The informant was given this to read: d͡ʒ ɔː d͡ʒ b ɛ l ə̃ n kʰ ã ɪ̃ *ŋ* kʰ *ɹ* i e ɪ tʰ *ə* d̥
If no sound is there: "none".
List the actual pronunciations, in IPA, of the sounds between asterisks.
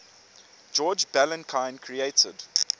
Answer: n, ɹ, ə

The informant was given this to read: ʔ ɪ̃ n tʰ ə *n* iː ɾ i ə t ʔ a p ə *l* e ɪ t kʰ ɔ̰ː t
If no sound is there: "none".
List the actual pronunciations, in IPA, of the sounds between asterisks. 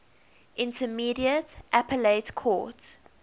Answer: m, l

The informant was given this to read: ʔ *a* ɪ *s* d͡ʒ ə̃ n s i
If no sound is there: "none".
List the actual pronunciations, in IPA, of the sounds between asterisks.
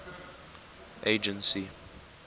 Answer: e, none

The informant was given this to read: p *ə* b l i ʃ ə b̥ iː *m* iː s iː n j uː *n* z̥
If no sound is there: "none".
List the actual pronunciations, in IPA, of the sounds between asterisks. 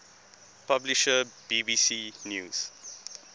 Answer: a, b, none

